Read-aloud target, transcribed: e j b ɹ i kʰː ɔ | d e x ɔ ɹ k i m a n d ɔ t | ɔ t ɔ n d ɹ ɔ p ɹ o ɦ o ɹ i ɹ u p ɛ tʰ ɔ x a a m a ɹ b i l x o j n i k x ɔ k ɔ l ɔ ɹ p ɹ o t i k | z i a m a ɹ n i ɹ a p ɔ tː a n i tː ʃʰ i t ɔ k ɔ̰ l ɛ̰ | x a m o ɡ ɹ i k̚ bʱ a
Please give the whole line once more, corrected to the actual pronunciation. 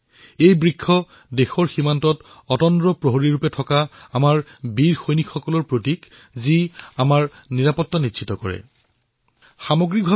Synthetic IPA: e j b ɹ i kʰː ɔ | d e x ɔ ɹ x i m a n t ɔ t | ɔ t ɔ n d ɹ ɔ p ɹ o ɦ o ɹ i ɹ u p ɛ tʰ ɔ k a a m a ɹ b i ɹ x o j n i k x ɔ k ɔ l ɔ ɹ p ɹ o t i k | z i a m a ɹ n i ɹ a p ɔ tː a n i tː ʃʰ i t ɔ k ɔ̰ ɹ ɛ̰ | x a m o ɡ ɹ i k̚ bʱ a

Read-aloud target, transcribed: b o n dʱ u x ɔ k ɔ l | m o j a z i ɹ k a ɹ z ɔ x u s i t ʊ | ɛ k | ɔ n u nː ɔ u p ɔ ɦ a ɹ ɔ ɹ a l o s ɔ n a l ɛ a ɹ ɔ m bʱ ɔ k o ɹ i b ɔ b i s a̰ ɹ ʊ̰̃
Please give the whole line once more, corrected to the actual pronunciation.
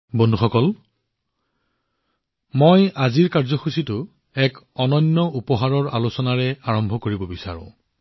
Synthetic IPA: b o n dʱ u x ɔ k ɔ l | m o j a z i ɹ k a ɹ z ɔ x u s i t ʊ | ɛ k | ɔ n ɔ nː ɔ u p ɔ ɦ a ɹ ɔ ɹ a l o s ɔ n a ɹ ɛ a ɹ ɔ m bʱ ɔ k o ɹ i b ɔ b i s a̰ ɹ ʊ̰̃

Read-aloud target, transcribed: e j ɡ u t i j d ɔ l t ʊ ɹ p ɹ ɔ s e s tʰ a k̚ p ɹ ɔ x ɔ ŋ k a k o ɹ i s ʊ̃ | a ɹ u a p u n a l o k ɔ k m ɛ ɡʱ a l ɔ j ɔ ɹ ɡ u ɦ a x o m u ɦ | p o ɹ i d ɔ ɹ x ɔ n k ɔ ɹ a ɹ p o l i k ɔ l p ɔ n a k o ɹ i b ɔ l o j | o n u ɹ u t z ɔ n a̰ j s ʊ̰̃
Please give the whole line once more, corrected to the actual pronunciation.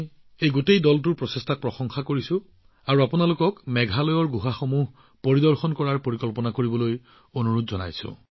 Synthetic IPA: e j ɡ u t e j d ɔ l t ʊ ɹ p ɹ ɔ s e s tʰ a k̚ p ɹ ɔ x ɔ ŋ x a k o ɹ i s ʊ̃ | a ɹ u a p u n a l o k ɔ k m ɛ ɡʱ a l ɔ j ɔ ɹ ɡ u ɦ a x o m u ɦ | p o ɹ i d ɔ ɹ x ɔ n k ɔ ɹ a ɹ p o ɹ i k ɔ l p ɔ n a k o ɹ i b ɔ l o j | o n u ɹ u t z ɔ n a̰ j s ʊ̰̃

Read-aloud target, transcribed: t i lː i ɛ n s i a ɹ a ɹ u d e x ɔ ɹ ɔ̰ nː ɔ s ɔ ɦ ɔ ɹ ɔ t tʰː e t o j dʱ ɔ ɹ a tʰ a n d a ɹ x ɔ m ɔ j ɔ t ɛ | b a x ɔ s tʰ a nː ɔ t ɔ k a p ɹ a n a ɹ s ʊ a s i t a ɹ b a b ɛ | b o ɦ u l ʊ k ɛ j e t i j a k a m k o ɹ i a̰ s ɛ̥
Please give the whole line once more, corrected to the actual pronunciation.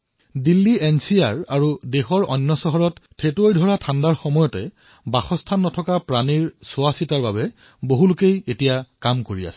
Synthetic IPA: d i lː i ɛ n s i a ɹ a ɹ u d e x ɔ ɹ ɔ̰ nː ɔ s ɔ ɦ ɔ ɹ ɔ t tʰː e t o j dʱ ɔ ɹ a tʰ a n d a ɹ x ɔ m ɔ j ɔ t ɛ | b a x ɔ s tʰ a nː ɔ tʰ ɔ k a p ɹ a n i ɹ s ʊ a s i t a ɹ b a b ɛ | b o ɦ u l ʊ k e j e t i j a k a m k o ɹ i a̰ s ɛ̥

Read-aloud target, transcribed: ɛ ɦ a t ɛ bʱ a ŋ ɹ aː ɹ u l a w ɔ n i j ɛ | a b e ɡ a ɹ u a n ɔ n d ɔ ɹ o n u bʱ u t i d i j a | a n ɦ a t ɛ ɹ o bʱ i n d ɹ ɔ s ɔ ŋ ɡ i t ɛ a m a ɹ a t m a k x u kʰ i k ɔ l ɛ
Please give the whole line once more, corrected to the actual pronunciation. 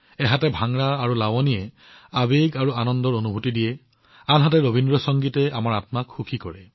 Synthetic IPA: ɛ ɦ a t ɛ bʱ a ŋ ɹ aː ɹ u l a w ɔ n i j ɛ | a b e ɡ a ɹ u a n ɔ n d ɔ ɹ o n u bʱ u t i d i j ɛ | a n ɦ a t ɛ ɹ o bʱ i n d ɹ ɔ s ɔ ŋ ɡ i t ɛ a m a ɹ a t m a k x u kʰ i k ɔ ɹ ɛ

